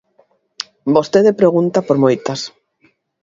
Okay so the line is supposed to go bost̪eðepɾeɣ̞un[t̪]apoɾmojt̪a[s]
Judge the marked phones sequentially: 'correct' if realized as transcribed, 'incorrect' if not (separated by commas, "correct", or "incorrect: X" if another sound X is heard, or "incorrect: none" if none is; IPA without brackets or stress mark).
correct, correct